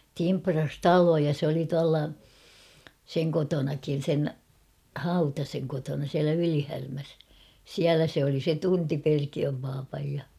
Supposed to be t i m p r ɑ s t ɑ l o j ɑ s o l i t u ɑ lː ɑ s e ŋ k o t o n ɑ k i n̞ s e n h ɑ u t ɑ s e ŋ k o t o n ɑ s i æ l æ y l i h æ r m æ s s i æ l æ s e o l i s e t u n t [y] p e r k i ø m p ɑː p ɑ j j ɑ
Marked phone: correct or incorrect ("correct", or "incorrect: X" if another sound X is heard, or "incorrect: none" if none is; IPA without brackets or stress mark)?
incorrect: i